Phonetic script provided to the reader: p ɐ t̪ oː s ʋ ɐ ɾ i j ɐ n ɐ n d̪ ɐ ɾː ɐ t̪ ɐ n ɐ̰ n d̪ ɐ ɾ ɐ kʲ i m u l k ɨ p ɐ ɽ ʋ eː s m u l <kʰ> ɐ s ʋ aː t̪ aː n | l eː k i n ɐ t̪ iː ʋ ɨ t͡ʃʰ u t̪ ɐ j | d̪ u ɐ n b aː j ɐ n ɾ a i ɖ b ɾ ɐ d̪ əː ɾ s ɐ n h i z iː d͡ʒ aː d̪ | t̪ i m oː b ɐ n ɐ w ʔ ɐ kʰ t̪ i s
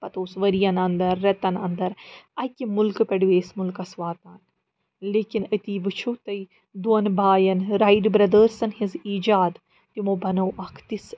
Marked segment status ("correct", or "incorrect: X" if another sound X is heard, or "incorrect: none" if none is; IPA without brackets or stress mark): incorrect: k